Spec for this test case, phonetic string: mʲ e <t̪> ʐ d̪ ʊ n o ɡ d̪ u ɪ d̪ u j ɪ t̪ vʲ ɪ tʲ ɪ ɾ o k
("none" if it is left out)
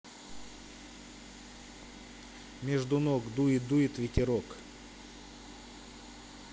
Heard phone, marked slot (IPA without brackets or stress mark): none